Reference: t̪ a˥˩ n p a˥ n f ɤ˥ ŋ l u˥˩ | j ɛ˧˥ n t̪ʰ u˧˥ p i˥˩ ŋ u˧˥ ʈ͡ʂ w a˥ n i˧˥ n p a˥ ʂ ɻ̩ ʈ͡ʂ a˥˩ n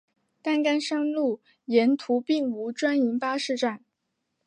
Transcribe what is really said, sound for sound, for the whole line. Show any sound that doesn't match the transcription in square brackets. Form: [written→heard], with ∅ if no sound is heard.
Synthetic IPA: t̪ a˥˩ n [p→k] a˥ n [f→ʂ] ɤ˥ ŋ l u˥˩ | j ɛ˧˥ n t̪ʰ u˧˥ p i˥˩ ŋ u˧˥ ʈ͡ʂ w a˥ n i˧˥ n p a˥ ʂ ɻ̩ ʈ͡ʂ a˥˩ n